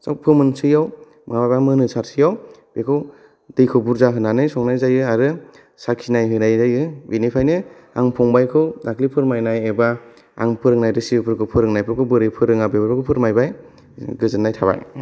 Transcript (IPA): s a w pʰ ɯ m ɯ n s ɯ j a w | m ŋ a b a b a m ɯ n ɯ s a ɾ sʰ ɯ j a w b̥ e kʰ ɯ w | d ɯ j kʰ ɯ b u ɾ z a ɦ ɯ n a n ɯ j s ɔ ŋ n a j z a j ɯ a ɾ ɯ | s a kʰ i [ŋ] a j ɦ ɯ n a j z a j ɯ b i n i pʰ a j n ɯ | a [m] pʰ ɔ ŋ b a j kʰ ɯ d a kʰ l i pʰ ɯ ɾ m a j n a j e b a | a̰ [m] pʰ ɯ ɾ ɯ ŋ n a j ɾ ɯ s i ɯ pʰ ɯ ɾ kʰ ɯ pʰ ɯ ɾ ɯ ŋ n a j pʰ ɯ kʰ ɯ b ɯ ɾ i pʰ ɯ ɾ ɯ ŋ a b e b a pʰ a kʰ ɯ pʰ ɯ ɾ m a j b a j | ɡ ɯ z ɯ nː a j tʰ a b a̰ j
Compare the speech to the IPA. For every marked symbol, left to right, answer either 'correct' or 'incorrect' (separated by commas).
incorrect, incorrect, incorrect